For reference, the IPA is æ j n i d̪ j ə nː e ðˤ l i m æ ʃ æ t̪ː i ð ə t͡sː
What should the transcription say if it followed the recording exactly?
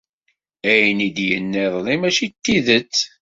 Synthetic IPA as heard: æ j n i d̪ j ə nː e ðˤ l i m æ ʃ i t̪ː i ð ə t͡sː